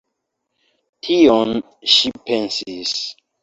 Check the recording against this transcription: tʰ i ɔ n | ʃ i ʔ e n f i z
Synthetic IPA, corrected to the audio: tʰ i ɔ n | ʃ i p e n s i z